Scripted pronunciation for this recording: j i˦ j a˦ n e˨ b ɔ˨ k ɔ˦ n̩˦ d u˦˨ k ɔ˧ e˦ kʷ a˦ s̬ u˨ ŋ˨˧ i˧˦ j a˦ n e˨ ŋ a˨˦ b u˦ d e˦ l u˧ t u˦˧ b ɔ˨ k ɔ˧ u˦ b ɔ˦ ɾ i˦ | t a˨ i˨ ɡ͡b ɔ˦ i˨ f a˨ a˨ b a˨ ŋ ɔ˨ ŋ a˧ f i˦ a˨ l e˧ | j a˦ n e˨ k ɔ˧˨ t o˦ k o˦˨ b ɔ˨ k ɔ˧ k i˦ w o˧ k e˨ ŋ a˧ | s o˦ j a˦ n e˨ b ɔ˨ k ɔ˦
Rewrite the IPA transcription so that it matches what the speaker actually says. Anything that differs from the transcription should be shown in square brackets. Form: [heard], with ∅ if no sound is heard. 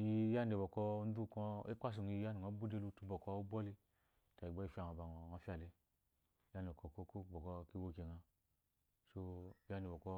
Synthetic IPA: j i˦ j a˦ n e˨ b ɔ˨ k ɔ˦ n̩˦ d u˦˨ k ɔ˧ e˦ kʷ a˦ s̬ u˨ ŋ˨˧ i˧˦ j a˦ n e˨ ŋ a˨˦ b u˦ d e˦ l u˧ t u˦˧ b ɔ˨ k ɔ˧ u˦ b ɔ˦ [l] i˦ | t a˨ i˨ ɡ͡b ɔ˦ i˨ f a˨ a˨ b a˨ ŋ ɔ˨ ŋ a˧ f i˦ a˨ l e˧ | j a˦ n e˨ k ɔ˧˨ [k] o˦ k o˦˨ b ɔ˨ k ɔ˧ k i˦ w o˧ k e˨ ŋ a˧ | s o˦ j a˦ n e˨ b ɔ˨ k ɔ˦

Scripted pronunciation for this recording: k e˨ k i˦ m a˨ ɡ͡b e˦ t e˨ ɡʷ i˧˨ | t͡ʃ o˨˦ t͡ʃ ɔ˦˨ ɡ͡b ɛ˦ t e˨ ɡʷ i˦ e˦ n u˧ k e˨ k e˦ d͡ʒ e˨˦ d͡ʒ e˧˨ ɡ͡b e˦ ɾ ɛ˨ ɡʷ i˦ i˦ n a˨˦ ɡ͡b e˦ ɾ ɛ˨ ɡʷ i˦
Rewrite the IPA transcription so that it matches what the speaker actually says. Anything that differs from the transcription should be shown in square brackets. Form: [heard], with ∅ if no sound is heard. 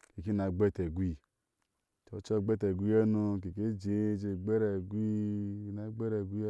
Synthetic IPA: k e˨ k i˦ [n] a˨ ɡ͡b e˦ t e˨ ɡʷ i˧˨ | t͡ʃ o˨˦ t͡ʃ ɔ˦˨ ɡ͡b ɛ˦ t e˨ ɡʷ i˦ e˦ n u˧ k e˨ k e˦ d͡ʒ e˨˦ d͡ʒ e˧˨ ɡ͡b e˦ ɾ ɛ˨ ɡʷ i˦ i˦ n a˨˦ ɡ͡b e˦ ɾ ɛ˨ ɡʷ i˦

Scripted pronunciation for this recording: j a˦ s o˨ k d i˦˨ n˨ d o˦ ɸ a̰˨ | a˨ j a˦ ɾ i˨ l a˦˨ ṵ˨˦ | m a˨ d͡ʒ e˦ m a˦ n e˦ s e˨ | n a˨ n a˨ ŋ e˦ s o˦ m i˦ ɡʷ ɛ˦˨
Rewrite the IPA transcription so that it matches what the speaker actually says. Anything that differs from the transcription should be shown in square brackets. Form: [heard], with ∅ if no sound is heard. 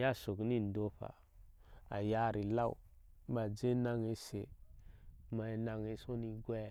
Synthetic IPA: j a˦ s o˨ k [n] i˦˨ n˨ d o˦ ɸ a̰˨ | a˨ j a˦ ɾ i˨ l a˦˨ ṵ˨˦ | m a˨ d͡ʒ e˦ [n] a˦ [ŋ] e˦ s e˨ | [m] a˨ n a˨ ŋ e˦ s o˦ [n] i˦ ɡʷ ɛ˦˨

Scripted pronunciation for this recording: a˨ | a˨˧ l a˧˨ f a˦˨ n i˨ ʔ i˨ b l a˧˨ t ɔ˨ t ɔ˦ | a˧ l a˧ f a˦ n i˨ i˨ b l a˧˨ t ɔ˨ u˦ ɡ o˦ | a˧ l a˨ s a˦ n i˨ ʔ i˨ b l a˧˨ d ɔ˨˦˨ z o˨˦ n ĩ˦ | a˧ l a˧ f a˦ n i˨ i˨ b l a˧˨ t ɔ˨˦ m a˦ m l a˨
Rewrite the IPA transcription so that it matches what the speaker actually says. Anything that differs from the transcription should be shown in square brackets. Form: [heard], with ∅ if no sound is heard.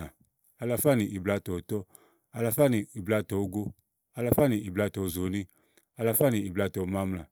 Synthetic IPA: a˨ | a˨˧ l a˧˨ f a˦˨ n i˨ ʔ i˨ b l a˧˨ t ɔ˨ t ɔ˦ | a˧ l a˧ f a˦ n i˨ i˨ b l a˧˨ t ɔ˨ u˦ ɡ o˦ | a˧ l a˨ [f] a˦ n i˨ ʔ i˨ b l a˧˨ [t] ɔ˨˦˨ z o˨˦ n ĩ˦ | a˧ l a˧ f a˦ n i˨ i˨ b l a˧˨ t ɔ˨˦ m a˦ m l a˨

